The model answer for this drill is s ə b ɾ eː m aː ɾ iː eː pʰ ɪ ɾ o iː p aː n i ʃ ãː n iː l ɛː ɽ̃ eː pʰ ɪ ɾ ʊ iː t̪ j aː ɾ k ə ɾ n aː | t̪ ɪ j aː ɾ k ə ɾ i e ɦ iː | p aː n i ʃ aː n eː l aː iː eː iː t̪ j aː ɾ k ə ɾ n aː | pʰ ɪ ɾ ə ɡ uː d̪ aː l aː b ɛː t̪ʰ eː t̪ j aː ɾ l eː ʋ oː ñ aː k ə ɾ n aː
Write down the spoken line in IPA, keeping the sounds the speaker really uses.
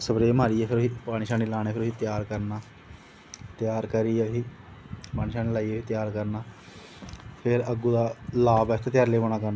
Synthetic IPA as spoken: s ə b ɾ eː m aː ɾ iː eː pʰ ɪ ɾ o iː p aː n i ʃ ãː n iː l aː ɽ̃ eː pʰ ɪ ɾ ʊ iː t̪ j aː ɾ k ə ɾ n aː | t̪ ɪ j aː ɾ k ə ɾ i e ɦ iː | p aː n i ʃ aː n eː l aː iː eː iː t̪ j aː ɾ k ə ɾ n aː | pʰ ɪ ɾ ə ɡ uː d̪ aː l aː b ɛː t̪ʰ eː t̪ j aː ɾ l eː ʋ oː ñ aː k ə ɾ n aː